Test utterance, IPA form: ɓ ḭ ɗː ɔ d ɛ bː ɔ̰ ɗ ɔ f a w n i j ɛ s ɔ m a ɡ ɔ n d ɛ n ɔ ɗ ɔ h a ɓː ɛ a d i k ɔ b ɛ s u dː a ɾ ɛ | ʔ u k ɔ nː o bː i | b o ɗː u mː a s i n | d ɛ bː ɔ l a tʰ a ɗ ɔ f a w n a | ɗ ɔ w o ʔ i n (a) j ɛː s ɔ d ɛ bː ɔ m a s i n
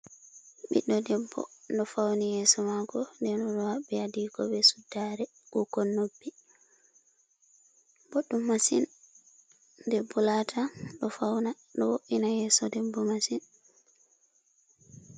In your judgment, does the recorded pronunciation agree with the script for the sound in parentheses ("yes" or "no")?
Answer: yes